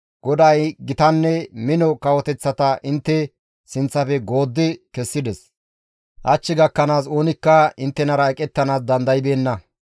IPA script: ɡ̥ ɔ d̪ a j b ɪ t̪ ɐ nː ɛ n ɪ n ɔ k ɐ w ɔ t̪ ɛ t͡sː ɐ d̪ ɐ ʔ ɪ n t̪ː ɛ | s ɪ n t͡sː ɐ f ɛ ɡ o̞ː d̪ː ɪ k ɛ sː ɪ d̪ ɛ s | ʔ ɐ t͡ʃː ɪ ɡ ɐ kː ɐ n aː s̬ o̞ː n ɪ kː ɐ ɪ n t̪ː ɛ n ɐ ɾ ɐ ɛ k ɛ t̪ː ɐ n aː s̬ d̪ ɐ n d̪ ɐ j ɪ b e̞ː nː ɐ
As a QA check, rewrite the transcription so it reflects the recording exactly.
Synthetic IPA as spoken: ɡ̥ ɔ d̪ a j ɡ ɪ t̪ ɐ nː ɛ m ɪ n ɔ k ɐ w ɔ t̪ ɛ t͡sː ɐ t̪ ɐ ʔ ɪ n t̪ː ɛ | s ɪ n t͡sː ɐ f ɛ ɡ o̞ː d̪ː ɪ k ɛ sː ɪ d̪ ɛ s | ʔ ɐ t͡ʃː ɪ ɡ ɐ kː ɐ n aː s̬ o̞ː n ɪ kː ɐ ɪ n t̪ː ɛ n ɐ ɾ ɐ ɛ kʼ ɛ t̪ː ɐ n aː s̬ d̪ ɐ n d̪ ɐ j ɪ b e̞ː nː ɐ

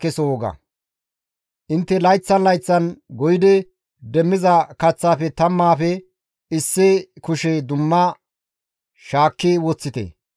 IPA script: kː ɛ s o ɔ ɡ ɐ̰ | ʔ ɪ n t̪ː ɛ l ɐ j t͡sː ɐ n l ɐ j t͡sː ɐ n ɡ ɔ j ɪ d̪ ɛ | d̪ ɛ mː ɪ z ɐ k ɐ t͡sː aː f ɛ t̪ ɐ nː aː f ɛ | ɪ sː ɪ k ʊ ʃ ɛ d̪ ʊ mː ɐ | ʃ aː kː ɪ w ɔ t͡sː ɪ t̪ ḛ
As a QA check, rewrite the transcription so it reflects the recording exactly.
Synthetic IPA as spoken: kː ɛ s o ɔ ɡ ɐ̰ | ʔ ɪ n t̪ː ɛ l ɐ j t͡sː ɐ n l ɐ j t͡sː ɐ n ɡ ɔ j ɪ d̪ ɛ | d̪ ɛ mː ɪ z ɐ k ɐ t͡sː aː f ɛ t̪ ɐ mː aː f ɛ | ɪ sː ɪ k ʊ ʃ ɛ d̪ ʊ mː ɐ | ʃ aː kː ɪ w ɔ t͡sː ɪ t̪ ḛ

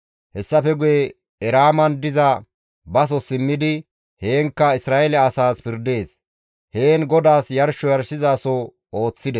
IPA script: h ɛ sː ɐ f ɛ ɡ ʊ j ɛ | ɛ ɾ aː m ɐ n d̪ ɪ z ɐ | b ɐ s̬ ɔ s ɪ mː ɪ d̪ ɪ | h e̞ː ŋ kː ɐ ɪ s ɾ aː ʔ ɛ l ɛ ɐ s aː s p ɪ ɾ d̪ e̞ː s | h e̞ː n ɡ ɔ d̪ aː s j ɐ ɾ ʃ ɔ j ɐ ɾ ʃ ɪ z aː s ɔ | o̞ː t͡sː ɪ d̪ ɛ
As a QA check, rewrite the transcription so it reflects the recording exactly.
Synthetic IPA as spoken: h ɛ sː ɐ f ɛ ɡ ʊ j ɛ | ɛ ɾ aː m ɐ n d̪ ɪ z ɐ | b ɐ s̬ ɔ s ɪ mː ɪ d̪ ɪ | h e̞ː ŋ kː ɐ ɪ s ɾ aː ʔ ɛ l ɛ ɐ s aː s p ɪ ɾ d̪ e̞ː s | h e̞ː n ɡ ɔ d̪ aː s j ɐ ɾ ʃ ɔ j ɐ ɾ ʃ ɪ z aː s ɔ | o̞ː t͡sː ɪ d̪ ɛ

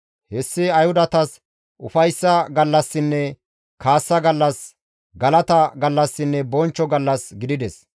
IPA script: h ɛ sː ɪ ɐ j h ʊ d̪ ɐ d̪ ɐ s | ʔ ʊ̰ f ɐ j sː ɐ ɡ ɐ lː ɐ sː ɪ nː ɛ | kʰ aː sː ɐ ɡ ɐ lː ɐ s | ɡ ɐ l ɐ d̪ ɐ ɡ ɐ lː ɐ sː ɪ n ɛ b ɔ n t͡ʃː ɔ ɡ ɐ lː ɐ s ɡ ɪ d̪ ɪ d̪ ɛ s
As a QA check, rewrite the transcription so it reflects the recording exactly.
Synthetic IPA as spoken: h ɛ sː ɪ ɐ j h ʊ d̪ ɐ t̪ ɐ s | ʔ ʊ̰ f ɐ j sː ɐ ɡ ɐ lː ɐ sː ɪ nː ɛ | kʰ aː sː ɐ ɡ ɐ lː ɐ s | ɡ ɐ l ɐ t̪ ɐ ɡ ɐ lː ɐ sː ɪ nː ɛ b ɔ n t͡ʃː ɔ ɡ ɐ lː ɐ s ɡ ɪ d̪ ɪ d̪ ɛ s

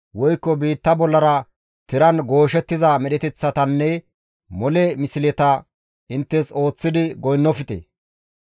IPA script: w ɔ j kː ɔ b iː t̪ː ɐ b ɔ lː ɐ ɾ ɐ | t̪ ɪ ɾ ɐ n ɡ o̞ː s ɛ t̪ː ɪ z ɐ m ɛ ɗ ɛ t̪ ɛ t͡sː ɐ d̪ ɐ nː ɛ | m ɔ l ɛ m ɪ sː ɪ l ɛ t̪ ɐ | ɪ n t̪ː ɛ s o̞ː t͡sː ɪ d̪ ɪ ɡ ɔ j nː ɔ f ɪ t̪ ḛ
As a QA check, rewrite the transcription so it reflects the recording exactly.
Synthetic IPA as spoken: w ɔ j kː ɔ b iː t̪ː ɐ b ɔ lː ɐ ɾ ɐ | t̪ ɪ ɾ ɐ n ɡ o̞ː ʃ ɛ t̪ː ɪ z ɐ m ɛ ɗ ɛ t̪ ɛ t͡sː ɐ t̪ ɐ nː ɛ | m ɔ l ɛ m ɪ s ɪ l ɛ t̪ ɐ | ɪ n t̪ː ɛ s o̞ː t͡sː ɪ d̪ ɪ ɡ ɔ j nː ɔ f ɪ t̪ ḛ

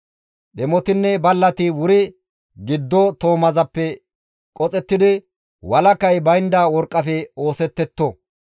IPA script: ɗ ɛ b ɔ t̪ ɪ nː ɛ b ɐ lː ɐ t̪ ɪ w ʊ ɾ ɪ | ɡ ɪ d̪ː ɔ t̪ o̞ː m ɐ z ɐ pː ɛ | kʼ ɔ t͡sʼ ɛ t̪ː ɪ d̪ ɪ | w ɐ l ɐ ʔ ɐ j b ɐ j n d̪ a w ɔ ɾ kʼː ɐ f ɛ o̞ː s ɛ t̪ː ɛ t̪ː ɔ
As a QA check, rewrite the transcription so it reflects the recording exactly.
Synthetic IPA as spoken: ɗ ɛ m ɔ t̪ ɪ nː ɛ b ɐ lː ɐ t̪ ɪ w ʊ ɾ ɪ | ɡ ɪ d̪ː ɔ t̪ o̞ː m ɐ z ɐ pː ɛ | kʼ ɔ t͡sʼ ɛ t̪ː ɪ d̪ ɪ | w ɐ l ɐ k ɐ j b ɐ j n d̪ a w ɔ ɾ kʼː ɐ f ɛ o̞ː s ɛ t̪ː ɛ t̪ː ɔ

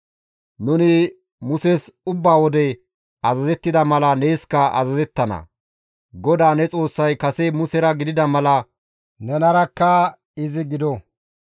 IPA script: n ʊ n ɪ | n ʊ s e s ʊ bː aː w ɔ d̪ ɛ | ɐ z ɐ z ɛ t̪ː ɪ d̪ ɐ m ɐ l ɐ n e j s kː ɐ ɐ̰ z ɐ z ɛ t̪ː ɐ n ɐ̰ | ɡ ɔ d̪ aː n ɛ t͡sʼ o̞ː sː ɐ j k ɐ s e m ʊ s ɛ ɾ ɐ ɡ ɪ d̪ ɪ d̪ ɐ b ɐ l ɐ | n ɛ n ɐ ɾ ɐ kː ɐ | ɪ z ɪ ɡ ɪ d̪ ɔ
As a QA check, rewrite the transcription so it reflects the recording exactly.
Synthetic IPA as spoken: n ʊ n ɪ | m ʊ s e s ʊ bː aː w ɔ d̪ ɛ | ɐ z ɐ z ɛ t̪ː ɪ d̪ ɐ m ɐ l ɐ n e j s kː ɐ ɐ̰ z ɐ z ɛ t̪ː ɐ n ɐ̰ | ɡ ɔ d̪ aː n ɛ t͡sʼ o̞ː sː ɐ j k ɐ s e m ʊ s ɛ ɾ ɐ ɡ ɪ d̪ ɪ d̪ ɐ m ɐ l ɐ | n ɛ n ɐ ɾ ɐ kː ɐ | ɪ z ɪ ɡ ɪ d̪ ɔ

